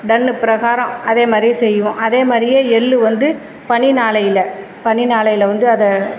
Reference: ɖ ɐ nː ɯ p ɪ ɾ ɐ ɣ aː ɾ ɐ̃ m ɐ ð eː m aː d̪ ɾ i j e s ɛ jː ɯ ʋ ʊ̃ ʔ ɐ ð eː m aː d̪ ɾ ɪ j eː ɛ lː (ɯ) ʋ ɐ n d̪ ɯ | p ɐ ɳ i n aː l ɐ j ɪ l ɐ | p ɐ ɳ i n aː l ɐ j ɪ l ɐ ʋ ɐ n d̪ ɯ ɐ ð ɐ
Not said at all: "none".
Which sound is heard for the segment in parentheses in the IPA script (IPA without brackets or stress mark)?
ɯ